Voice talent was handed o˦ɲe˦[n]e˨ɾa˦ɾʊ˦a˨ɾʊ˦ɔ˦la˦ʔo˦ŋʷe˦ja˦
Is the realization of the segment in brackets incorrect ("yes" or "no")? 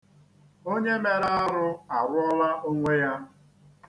yes